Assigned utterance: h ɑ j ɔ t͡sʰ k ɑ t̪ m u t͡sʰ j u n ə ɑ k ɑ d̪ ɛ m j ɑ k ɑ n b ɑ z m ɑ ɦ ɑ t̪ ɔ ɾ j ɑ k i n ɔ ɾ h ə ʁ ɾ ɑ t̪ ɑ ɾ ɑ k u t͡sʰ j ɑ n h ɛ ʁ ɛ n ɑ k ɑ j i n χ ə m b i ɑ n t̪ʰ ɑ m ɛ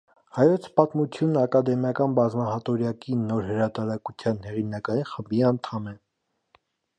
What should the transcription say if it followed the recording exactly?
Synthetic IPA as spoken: h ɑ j ɔ t͡sʰ p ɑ t̪ m u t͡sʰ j u n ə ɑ k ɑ d̪ ɛ m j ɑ k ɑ n b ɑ z m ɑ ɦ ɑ t̪ ɔ ɾ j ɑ k i n ɔ ɾ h ə ɾ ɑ t̪ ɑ ɾ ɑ k u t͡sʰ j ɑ n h ɛ ʁ i n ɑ k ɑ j i n χ ə m b i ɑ n t̪ʰ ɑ m ɛ

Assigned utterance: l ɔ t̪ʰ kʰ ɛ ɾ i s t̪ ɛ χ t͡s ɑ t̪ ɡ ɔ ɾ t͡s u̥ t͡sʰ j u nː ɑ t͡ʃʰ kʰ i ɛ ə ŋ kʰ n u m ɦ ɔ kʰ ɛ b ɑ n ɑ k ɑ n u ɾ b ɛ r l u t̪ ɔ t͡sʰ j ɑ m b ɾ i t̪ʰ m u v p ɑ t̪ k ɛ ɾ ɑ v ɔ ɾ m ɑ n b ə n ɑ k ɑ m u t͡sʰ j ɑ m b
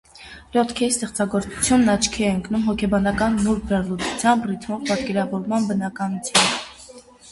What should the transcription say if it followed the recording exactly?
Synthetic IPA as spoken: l ɔ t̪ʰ kʰ ɛ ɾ i s t̪ ɛ χ t͡s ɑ ɡ ɔ ɾ t͡s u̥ t͡sʰ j u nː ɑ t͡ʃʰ kʰ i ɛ ə ŋ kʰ n u m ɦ ɔ kʰ ɛ b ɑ n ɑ k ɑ nː u ɾ b ɛ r l u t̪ u t͡sʰ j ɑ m b r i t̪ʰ m ɔ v p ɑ t̪ k ɛ ɾ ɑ v ɔ ɾ m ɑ n b ə n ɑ k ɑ n u t͡sʰ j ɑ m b

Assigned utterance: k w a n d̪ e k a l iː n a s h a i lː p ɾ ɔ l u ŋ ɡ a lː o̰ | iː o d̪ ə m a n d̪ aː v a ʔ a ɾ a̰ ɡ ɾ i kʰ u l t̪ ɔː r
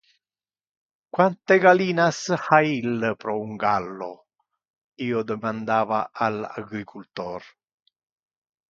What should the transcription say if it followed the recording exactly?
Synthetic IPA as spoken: k w a n t̪ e ɡ a l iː n a s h a i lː p ɾ ɔ u ŋ ɡ a lː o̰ | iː o d̪ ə m a n d̪ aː v a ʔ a l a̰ ɡ ɾ i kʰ u l t̪ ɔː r

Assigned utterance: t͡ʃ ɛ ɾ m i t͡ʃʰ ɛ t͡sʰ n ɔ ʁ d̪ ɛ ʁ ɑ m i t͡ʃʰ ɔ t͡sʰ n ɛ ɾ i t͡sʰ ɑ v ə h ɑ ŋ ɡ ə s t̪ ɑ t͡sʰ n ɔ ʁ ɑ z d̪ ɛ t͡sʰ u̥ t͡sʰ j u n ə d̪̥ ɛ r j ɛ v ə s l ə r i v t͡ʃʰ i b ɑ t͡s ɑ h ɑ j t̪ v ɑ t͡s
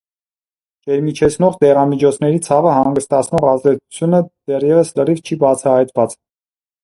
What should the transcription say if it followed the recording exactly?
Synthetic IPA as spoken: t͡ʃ ɛ ɾ m i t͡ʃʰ ɛ t͡sʰ n ɔ ʁ d̪ ɛ ʁ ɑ m i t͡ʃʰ ɔ t͡sʰ n ɛ ɾ i t͡sʰ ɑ v ə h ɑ ŋ ɡ ə s t̪ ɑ t͡sʰ n ɔ ʁ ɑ z d̪ ɛ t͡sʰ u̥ t͡sʰ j u n ə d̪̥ ɛ r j ɛ v ə s l ə r i v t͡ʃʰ i b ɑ t͡sʰ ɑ h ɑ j t̪ v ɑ t͡s

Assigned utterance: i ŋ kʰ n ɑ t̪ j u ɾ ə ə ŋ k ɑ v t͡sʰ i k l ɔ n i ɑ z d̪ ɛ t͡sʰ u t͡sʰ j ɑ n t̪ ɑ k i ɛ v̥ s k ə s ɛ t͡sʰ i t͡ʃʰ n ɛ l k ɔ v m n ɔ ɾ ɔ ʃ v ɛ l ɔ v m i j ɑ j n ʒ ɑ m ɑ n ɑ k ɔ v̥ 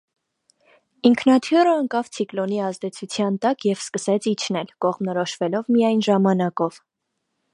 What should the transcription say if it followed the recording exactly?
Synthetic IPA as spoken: i ŋ kʰ n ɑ t̪ʰ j u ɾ ə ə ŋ k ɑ v t͡sʰ i k l ɔ n i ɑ z d̪ ɛ t͡sʰ u t͡sʰ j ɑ n t̪ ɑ k j ɛ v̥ s k ə s ɛ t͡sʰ i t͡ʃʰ n ɛ l k ɔ ʁ m n ɔ ɾ ɔ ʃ v ɛ l ɔ v m i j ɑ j n ʒ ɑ m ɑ n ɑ k ɔ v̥

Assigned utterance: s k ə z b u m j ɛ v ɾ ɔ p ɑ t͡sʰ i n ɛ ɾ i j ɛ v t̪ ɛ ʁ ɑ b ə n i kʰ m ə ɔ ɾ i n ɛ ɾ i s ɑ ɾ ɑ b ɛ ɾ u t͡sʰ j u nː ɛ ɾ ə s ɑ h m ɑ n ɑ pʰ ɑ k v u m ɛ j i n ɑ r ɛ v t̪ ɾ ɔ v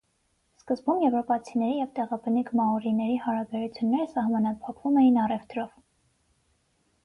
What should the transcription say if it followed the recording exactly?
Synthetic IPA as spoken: s k ə z b u m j ɛ v ɾ ɔ p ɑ t͡sʰ i n ɛ ɾ i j ɛ v t̪ ɛ ʁ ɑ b ə n i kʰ m ɑ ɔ ɾ i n ɛ ɾ i h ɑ ɾ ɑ b ɛ ɾ u t͡sʰ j u nː ɛ ɾ ə s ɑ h m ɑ n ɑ pʰ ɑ k v u m ɛ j i n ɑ r ɛ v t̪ ɾ ɔ v

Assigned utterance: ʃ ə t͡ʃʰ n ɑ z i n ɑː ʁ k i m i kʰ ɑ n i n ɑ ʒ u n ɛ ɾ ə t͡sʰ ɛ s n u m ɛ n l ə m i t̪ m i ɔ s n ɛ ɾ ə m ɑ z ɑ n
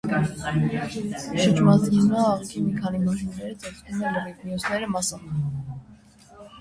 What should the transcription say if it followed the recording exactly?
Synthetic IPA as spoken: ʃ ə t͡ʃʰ m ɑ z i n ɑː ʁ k i m i kʰ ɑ n i m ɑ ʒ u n ɛ ɾ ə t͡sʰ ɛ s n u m ɛ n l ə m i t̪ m i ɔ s n ɛ ɾ ə m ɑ s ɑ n

